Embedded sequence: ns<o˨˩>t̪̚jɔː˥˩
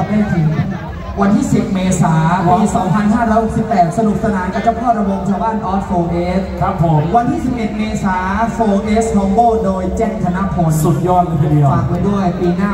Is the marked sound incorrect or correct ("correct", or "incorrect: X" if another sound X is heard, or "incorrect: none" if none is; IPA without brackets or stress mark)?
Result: incorrect: u˨˩